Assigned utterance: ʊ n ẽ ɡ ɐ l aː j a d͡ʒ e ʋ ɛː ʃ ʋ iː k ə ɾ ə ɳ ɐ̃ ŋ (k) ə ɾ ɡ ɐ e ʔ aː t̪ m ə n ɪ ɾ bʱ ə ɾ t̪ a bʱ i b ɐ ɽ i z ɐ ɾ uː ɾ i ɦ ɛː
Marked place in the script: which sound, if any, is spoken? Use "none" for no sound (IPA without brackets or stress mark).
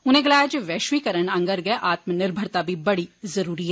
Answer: ɡ